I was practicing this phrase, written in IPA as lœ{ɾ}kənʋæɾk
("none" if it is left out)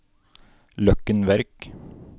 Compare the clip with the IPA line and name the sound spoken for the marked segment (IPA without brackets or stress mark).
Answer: none